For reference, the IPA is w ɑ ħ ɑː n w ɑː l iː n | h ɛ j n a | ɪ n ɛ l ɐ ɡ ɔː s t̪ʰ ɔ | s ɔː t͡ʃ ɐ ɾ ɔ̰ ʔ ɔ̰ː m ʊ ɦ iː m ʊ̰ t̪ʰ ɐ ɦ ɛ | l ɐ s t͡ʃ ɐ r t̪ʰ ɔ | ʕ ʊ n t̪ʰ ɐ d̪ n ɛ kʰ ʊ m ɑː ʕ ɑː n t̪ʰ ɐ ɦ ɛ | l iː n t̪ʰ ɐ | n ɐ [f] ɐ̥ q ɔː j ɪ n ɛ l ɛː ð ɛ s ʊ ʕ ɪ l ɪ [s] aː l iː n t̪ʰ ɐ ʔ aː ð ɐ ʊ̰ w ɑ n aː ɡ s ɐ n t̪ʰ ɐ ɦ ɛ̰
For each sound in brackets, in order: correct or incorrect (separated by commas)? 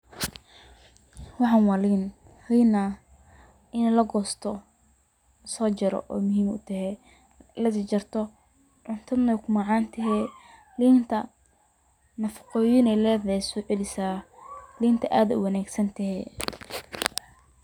correct, correct